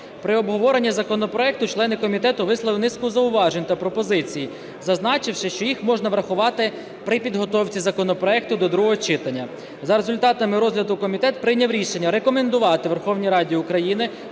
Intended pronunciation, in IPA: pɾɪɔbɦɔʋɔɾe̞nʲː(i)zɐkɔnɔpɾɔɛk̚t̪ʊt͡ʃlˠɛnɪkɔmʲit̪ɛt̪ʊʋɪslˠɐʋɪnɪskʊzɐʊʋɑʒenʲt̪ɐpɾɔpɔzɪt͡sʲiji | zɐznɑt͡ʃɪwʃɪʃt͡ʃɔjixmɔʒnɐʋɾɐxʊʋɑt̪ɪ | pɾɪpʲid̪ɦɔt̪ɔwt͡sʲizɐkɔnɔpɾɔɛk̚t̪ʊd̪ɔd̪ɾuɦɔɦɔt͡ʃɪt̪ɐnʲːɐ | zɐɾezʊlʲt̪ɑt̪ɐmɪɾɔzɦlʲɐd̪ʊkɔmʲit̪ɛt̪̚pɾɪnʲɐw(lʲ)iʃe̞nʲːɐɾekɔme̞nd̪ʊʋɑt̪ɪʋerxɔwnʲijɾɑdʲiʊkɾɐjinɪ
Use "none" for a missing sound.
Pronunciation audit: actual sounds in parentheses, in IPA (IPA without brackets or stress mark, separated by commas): i, ɾʲ